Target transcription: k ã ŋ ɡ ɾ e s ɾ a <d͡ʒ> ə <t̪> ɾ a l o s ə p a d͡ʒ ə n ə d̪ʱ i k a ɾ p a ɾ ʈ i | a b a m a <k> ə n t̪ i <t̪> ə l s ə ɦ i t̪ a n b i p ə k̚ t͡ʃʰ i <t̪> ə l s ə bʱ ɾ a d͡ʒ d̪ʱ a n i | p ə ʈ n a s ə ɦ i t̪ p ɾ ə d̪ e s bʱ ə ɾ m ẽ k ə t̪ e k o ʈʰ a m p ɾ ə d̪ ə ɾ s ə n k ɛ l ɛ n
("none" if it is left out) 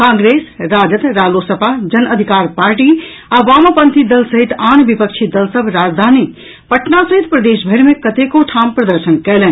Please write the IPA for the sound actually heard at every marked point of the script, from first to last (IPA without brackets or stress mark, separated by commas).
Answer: d͡ʒ, t̪, p, d̪, d̪